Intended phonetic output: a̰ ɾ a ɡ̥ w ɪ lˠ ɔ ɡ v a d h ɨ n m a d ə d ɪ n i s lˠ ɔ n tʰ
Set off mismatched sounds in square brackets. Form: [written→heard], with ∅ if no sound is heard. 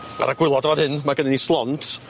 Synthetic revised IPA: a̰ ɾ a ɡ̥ w ɪ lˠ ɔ [ɡ→d] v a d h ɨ n m a [d→ɡ] ə [d→n] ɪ n i s lˠ ɔ n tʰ